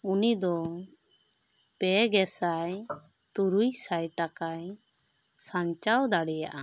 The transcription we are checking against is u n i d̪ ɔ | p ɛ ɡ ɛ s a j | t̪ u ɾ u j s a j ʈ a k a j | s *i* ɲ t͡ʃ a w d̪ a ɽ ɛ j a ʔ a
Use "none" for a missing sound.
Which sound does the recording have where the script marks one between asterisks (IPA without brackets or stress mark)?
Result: a